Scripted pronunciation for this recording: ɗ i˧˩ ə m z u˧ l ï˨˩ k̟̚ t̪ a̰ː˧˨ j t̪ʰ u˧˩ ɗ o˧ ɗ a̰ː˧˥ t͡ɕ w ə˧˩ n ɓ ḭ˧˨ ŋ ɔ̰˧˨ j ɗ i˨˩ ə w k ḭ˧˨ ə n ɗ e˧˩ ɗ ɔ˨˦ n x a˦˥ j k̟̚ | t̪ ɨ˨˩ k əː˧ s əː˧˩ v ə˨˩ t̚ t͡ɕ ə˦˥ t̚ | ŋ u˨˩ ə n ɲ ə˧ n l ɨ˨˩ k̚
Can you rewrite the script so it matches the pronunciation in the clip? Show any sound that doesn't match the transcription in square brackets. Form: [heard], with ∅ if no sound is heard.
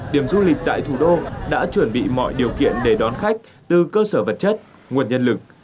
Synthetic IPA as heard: ɗ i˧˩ ə m z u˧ l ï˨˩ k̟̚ t̪ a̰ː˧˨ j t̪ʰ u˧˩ ɗ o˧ ɗ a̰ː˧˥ t͡ɕ w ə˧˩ n ɓ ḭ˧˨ [m] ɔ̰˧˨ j ɗ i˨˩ ə w k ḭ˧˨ ə n ɗ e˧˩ ɗ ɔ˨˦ n x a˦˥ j k̟̚ | t̪ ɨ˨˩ k əː˧ s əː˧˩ v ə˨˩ t̚ t͡ɕ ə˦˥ t̚ | ŋ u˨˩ ə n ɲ ə˧ n l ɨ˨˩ k̚